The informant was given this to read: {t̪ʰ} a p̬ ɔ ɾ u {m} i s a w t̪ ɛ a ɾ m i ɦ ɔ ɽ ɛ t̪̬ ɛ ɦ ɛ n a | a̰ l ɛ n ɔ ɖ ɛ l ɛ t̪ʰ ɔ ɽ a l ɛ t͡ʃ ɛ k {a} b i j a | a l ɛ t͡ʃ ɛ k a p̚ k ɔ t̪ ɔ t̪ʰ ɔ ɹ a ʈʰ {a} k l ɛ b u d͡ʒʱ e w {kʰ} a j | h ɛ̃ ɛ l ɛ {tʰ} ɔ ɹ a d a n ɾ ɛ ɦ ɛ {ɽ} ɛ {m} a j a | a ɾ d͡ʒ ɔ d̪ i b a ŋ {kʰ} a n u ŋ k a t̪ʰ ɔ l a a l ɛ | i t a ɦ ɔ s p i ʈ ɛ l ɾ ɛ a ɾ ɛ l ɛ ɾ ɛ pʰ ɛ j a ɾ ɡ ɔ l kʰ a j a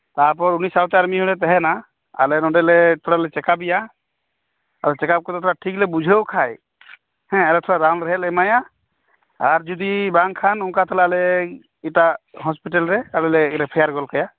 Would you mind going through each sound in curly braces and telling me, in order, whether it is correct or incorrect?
incorrect: t̪, incorrect: n, correct, incorrect: i, correct, correct, incorrect: l, correct, correct

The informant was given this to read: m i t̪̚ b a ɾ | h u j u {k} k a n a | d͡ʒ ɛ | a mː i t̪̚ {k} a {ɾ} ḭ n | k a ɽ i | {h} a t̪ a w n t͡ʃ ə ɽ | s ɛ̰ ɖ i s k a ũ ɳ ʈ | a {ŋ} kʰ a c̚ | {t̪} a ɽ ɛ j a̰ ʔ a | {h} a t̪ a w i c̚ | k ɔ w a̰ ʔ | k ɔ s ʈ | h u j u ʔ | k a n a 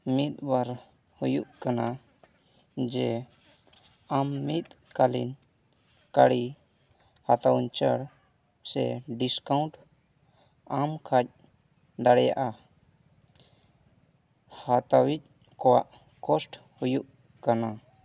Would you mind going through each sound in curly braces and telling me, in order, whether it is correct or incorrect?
incorrect: ʔ, correct, incorrect: l, correct, incorrect: m, incorrect: d̪, correct

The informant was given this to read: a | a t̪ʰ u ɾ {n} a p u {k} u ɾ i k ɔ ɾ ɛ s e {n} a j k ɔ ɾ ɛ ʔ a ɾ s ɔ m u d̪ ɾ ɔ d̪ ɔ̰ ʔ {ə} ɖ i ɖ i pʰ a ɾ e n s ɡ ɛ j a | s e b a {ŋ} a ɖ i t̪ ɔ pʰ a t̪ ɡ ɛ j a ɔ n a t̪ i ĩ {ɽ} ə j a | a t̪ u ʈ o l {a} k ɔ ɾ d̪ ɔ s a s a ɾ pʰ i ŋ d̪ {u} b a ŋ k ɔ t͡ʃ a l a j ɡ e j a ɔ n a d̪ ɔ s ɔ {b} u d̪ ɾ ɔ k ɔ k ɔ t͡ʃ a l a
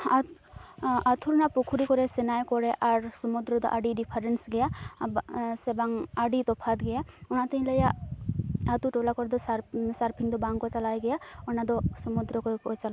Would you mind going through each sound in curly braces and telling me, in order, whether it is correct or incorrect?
correct, incorrect: kʰ, correct, incorrect: a, correct, incorrect: l, correct, incorrect: ɔ, incorrect: m

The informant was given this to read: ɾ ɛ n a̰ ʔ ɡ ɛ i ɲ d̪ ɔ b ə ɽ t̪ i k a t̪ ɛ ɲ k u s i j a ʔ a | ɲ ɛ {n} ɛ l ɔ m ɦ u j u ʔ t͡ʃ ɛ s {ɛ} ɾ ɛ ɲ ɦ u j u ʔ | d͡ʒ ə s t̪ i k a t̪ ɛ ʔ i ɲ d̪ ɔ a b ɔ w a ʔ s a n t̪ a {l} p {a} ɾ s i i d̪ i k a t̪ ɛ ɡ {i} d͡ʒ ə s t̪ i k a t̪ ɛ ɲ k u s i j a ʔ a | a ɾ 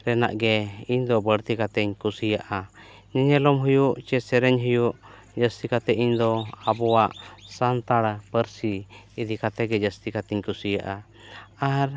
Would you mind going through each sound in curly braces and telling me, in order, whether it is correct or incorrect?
incorrect: ɲ, correct, incorrect: ɽ, incorrect: ə, incorrect: ɛ

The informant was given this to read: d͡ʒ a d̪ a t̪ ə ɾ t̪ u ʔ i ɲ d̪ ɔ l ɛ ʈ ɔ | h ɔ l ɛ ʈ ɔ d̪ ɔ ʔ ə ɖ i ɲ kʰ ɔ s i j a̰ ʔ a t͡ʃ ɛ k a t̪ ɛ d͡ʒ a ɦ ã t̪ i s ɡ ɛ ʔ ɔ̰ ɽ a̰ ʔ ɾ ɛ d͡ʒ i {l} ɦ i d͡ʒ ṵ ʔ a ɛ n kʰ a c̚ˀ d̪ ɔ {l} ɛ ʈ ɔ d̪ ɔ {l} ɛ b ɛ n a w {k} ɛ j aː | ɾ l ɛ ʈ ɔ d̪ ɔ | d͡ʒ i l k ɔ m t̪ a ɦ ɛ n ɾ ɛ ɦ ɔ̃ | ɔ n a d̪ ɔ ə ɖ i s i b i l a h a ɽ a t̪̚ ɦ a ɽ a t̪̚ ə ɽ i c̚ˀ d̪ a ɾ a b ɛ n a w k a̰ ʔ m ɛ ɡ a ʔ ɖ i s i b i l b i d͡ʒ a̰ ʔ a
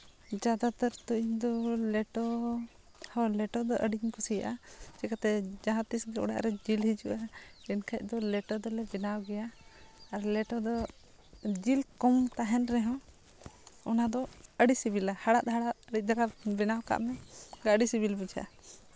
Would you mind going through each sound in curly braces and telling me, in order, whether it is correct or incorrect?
correct, correct, correct, incorrect: ɡ

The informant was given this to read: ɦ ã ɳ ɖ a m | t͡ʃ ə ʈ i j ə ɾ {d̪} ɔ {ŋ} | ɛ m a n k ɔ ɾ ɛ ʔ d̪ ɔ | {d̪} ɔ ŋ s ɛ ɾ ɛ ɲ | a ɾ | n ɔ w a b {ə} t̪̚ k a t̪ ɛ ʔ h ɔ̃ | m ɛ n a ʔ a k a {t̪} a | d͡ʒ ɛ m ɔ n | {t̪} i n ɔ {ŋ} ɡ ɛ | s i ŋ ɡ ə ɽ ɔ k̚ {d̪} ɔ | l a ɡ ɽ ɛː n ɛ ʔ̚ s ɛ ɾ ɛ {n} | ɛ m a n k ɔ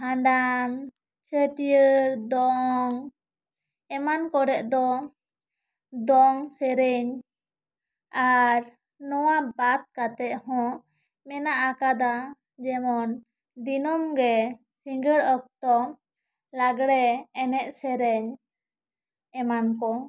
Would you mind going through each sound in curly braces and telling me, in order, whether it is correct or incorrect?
correct, correct, correct, incorrect: a, incorrect: d̪, incorrect: d̪, incorrect: m, incorrect: t̪, incorrect: ɲ

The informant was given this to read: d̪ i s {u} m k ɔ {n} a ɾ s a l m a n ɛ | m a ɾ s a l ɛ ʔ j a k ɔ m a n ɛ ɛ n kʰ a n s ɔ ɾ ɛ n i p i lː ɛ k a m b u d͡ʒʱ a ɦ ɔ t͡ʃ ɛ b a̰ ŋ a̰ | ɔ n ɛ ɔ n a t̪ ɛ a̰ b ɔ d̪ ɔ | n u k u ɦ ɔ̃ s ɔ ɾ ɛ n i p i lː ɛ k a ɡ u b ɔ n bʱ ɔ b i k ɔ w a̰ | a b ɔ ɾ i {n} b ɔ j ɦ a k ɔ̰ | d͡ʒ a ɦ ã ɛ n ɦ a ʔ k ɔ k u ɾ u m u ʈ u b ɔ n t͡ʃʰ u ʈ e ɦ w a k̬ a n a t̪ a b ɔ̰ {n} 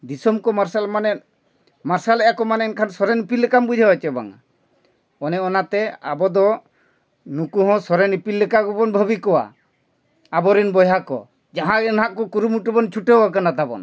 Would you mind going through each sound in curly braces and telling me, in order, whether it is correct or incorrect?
incorrect: ɔ, incorrect: m, correct, correct

